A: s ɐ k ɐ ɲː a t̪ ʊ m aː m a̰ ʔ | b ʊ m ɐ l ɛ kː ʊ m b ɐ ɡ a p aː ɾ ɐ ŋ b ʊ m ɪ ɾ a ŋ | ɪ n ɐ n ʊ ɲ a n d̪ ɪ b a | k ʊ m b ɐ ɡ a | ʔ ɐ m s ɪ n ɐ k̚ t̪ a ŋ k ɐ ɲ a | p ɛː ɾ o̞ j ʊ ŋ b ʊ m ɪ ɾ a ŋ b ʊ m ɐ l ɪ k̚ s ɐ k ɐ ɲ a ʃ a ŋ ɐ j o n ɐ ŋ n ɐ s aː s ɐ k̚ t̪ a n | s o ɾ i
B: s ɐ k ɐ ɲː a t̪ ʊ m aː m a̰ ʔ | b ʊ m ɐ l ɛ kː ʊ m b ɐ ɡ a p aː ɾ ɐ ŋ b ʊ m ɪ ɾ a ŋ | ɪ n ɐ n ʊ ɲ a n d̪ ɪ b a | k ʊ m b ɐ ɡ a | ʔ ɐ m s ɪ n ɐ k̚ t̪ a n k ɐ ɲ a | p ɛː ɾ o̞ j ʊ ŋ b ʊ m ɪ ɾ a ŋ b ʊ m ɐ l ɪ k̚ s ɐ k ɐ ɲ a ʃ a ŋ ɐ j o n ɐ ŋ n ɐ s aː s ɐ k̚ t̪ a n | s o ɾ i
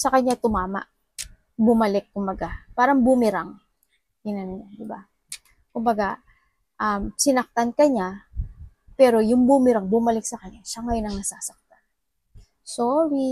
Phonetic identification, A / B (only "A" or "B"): B